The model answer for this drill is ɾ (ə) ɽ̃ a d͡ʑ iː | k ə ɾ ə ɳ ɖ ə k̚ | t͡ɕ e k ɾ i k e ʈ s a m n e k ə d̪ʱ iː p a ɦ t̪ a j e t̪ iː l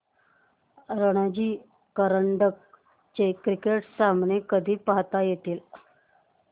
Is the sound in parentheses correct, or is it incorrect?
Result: correct